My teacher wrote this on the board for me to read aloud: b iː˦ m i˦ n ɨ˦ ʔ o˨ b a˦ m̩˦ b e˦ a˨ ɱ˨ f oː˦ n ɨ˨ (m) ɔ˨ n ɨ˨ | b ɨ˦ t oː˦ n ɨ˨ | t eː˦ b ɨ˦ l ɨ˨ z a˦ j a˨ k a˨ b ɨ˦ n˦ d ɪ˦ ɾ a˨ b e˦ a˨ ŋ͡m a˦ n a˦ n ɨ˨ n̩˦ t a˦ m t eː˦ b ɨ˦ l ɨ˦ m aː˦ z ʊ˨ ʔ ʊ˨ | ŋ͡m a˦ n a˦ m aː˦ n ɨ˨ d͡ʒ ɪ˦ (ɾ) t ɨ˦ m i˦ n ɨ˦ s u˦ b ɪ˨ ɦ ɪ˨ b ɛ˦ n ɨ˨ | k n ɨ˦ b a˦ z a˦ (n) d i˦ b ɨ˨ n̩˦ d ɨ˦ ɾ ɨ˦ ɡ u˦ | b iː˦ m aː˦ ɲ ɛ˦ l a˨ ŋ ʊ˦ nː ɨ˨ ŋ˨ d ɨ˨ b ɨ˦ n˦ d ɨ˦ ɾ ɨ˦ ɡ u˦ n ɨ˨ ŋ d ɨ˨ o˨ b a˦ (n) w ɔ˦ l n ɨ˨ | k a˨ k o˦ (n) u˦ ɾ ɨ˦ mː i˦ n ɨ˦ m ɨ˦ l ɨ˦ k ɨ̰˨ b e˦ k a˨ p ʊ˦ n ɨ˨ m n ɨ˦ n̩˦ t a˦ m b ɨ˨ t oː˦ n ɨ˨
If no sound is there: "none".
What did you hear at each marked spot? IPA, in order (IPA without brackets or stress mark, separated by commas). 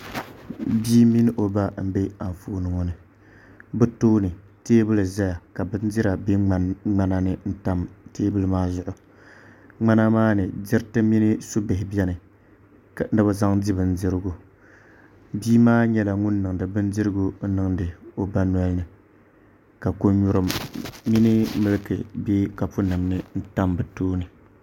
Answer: ŋ, ɾ, ŋ, n, ɲ